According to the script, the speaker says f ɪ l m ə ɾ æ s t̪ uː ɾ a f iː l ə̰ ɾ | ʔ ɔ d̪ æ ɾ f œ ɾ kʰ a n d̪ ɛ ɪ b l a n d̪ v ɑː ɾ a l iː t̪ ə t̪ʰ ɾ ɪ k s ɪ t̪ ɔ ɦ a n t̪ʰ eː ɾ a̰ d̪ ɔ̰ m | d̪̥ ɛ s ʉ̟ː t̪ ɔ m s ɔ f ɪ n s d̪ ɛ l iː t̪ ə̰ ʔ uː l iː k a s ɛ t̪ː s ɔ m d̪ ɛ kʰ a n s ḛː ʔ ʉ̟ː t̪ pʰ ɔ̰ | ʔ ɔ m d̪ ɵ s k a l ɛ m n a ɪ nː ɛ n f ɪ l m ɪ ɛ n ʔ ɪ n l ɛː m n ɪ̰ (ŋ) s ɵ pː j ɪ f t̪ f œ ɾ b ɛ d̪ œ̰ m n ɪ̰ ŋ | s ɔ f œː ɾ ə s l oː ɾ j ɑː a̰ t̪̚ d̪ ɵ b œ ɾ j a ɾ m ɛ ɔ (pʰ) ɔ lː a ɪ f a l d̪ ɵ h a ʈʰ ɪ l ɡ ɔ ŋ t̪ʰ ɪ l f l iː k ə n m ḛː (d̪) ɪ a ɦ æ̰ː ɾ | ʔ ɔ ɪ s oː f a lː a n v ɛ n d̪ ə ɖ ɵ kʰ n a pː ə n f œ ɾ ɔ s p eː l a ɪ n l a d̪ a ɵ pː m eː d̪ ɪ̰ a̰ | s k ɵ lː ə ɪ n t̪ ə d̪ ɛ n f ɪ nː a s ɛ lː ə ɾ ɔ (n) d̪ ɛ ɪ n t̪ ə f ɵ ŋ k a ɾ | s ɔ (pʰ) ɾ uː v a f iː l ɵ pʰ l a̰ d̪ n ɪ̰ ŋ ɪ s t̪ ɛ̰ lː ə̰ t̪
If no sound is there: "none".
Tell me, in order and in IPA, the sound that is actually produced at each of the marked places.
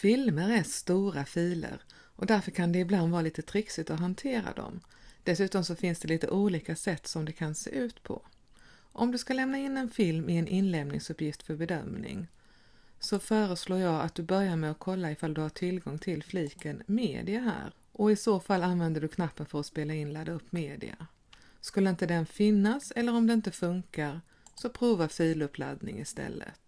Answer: ŋ, kʰ, d̪, m, pʰ

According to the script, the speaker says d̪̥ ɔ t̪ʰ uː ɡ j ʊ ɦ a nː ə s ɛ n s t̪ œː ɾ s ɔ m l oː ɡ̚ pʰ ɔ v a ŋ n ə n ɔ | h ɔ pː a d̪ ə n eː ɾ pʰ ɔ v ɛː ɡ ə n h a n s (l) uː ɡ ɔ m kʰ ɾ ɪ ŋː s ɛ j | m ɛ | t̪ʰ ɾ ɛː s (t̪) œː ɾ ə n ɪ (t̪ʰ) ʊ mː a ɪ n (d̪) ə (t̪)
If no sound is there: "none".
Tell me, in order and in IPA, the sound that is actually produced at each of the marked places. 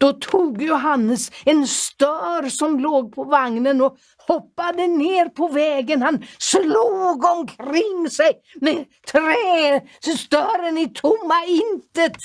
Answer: l, t̪, t̪ʰ, t̪, t̪

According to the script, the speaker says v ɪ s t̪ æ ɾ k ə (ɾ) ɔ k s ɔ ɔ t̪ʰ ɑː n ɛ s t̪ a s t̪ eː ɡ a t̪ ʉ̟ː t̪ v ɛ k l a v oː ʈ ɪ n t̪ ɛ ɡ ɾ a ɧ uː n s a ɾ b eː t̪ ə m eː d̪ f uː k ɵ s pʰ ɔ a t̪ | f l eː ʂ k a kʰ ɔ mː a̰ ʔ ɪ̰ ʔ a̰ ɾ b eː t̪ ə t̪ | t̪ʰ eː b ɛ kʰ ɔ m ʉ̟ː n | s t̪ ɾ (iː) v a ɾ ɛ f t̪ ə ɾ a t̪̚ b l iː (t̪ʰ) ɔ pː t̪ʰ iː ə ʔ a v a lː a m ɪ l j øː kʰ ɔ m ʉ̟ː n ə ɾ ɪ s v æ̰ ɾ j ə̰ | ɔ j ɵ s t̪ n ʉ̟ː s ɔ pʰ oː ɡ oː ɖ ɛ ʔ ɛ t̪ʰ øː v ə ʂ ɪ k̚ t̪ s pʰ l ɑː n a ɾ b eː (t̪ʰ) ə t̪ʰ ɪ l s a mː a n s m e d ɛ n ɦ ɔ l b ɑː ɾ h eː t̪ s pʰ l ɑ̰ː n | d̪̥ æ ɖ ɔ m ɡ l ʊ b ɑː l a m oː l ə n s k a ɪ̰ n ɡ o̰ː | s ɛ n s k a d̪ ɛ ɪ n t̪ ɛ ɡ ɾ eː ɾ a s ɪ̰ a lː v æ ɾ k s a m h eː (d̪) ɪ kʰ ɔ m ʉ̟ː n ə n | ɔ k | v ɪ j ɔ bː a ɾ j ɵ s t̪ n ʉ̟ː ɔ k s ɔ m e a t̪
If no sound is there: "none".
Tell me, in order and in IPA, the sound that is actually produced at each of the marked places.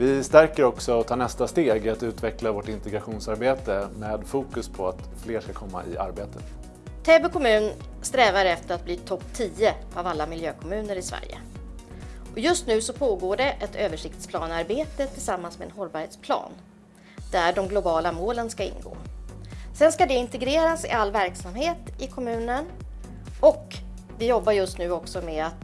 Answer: ɾ, ɛː, t̪ʰ, t̪, t̪

